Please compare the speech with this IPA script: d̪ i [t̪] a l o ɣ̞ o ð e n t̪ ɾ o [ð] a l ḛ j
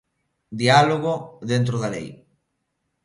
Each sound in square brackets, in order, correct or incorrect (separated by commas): incorrect, correct